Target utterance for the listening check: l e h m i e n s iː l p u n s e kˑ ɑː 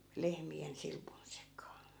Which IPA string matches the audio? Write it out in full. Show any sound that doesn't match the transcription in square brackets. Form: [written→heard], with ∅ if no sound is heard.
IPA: l e h m i e n s [iː→i] l p u n s e kˑ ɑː